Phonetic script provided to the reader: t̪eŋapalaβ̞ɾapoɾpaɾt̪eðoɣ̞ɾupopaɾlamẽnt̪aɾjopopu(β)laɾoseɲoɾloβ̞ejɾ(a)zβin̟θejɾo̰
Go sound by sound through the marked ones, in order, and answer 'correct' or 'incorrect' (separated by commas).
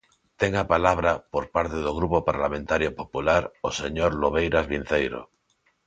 incorrect, correct